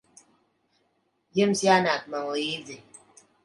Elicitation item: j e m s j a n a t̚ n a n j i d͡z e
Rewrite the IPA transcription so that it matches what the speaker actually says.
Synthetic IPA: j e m s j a n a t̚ m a ŋ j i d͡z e